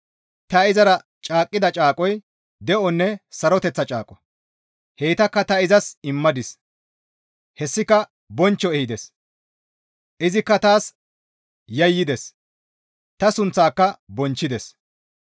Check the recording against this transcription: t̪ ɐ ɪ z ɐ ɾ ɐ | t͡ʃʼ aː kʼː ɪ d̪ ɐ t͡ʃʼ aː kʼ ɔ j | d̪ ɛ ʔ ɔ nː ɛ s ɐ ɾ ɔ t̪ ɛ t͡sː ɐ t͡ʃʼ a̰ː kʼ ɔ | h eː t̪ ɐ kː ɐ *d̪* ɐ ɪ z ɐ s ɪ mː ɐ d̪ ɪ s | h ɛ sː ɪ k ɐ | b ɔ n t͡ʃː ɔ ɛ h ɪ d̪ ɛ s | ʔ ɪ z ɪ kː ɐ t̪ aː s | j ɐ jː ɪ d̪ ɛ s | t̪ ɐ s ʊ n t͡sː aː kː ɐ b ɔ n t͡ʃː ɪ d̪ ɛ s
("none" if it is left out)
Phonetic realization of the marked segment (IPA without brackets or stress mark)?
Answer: t̪